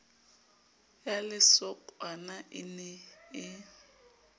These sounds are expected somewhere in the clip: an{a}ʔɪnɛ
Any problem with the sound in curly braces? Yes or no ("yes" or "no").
no